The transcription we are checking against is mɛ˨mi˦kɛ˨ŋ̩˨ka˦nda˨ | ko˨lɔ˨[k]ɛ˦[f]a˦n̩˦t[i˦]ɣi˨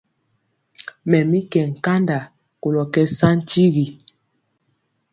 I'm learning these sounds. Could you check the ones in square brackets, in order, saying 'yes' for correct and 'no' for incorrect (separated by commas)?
yes, no, yes